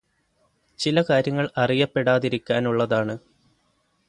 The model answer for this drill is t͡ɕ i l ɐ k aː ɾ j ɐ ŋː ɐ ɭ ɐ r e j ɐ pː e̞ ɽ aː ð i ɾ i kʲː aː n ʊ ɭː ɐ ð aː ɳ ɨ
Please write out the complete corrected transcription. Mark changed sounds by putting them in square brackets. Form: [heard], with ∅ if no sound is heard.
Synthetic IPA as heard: t͡ɕ i l ɐ k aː ɾ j ɐ ŋː ɐ ɭ ɐ r [i] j ɐ pː e̞ ɽ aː ð i ɾ i kʲː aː n [u] ɭː ɐ ð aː ɳ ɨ